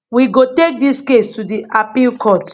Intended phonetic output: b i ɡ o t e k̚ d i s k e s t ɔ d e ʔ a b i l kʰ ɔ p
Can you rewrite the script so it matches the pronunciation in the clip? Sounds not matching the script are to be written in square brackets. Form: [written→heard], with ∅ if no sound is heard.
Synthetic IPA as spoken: [b→w] i ɡ o t e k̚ d i s k e s t [ɔ→u] d [e→i] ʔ a [b→p] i l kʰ ɔ [p→t]

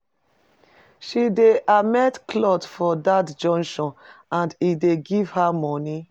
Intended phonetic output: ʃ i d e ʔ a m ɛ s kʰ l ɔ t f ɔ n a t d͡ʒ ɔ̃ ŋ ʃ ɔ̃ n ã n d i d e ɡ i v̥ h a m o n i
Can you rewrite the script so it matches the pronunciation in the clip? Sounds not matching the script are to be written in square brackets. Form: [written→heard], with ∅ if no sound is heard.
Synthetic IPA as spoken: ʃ i d e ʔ a m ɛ [s→t] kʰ l ɔ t f ɔ [n→d] a t d͡ʒ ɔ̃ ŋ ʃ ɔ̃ n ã n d i d e ɡ i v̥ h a m [o→ɔ] n i

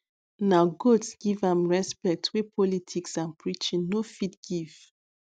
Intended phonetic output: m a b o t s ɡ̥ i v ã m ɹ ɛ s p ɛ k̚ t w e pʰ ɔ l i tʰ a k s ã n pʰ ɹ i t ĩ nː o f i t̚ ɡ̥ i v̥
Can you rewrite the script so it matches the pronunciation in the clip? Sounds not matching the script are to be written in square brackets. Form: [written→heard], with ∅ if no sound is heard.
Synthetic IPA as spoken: [m→n] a [b→ɡ] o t s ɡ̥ i v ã m ɹ ɛ s p ɛ k̚ t w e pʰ ɔ l i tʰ [a→i] k s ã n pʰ ɹ i [t→t͡ʃ] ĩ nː o f i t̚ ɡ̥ i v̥

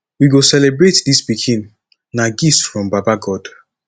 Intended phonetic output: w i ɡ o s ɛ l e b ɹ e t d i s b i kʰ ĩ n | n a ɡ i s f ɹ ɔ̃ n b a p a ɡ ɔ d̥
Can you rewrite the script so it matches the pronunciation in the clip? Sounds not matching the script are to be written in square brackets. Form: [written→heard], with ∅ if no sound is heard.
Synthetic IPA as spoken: w i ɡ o s ɛ l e b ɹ e t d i s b i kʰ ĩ n | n a ɡ i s f ɹ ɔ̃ [n→m] b a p a ɡ ɔ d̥

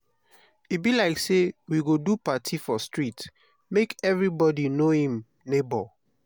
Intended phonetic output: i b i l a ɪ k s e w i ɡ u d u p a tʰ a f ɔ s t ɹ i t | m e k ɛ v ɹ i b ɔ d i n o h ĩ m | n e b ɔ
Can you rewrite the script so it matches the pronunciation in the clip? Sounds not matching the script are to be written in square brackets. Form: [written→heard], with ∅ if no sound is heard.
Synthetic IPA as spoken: i b i l a ɪ k s e w i ɡ [u→o] d u p a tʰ [a→i] f ɔ s t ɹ i t | m e k ɛ v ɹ i b ɔ d i n o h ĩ m | n e b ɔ

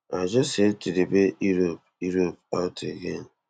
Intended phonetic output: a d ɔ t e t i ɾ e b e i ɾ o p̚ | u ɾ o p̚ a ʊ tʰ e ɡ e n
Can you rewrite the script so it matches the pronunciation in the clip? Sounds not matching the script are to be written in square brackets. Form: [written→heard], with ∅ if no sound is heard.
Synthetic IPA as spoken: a [d→d͡ʒ] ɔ [t→s] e t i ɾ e b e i ɾ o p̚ | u ɾ o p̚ a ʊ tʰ e ɡ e n

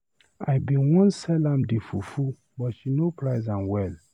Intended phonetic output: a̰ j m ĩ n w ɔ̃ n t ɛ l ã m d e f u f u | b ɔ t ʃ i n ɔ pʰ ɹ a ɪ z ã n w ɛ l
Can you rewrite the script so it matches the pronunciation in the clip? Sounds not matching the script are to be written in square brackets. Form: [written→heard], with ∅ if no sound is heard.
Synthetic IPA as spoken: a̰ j [m→b] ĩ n w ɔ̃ n [t→s] ɛ l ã m d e f u f u | b ɔ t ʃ i n [ɔ→o] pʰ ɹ a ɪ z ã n w ɛ l

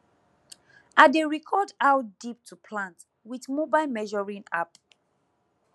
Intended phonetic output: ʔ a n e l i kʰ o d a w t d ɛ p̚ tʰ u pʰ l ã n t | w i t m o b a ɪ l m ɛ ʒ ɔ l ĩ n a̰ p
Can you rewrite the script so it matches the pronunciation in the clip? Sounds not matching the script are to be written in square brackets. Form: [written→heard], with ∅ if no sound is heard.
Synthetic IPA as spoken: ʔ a [n→d] e [l→ɹ] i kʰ [o→ɔ] d a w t d [ɛ→i] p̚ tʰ u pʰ l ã n t | w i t m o b a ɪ l m ɛ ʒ ɔ [l→ɹ] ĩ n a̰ p

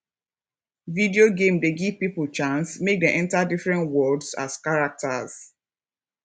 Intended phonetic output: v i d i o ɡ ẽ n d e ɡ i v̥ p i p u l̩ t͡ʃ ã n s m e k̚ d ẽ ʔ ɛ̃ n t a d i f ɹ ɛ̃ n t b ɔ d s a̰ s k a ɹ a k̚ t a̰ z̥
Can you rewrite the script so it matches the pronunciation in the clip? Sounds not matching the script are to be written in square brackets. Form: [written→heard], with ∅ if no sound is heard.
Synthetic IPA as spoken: v i d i o ɡ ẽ [n→m] d e ɡ i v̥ p i p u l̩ t͡ʃ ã n s m e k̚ d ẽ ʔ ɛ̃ n t a d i f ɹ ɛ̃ n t [b→w] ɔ d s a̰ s k a ɹ a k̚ t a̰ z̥

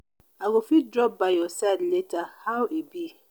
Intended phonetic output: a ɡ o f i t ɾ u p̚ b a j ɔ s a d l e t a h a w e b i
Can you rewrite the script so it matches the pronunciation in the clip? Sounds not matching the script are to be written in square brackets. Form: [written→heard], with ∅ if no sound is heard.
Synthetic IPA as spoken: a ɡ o f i [t→d] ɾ [u→ɔ] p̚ b a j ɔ s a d l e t a h a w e b i

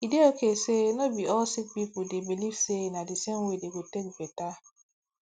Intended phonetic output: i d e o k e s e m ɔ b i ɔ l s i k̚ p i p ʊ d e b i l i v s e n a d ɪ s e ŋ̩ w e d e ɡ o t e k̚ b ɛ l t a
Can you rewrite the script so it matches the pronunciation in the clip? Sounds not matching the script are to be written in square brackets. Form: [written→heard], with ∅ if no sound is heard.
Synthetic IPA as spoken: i d e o k e s e [m→n] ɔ b i ɔ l s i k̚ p i p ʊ d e b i l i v s e n a d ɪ s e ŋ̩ w e d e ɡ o t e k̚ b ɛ [l→∅] t a

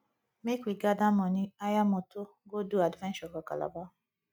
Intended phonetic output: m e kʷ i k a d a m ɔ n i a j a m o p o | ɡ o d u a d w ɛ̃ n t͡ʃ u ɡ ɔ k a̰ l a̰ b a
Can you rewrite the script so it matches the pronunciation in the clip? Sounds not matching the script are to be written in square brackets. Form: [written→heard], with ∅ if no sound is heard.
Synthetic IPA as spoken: m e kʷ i [k→ɡ] a d a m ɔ n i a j a m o [p→t] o | ɡ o d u a d [w→v] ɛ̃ n t͡ʃ [u→ɔ] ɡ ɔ k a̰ l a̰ b a

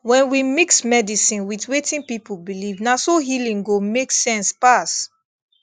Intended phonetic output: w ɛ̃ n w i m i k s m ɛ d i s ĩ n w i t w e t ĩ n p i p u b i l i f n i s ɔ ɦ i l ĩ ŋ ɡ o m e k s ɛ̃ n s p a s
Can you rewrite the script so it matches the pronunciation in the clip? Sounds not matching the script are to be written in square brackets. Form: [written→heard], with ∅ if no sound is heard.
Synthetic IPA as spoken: w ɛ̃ n w i m i k s m ɛ d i s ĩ n w i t w e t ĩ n p i p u b i l i [f→v] n [i→a] s [ɔ→o] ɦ i l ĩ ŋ ɡ o m e k s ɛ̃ n s p a s

